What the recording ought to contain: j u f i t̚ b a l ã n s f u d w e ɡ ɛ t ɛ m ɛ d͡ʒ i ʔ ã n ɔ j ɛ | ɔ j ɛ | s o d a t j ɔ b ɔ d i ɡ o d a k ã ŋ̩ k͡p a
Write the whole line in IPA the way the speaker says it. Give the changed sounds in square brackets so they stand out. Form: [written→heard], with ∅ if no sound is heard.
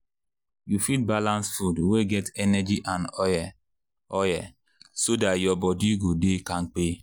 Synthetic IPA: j u f i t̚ b a l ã n s f u d w e ɡ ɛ t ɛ [m→n] ɛ d͡ʒ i ʔ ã n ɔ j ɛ | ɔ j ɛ | s o d a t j ɔ b ɔ d i ɡ o d [a→e] k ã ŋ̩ k͡p [a→e]